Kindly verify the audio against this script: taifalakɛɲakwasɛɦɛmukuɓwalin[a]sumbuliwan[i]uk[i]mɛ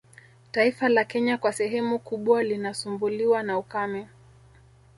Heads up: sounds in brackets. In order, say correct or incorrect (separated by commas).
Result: correct, incorrect, incorrect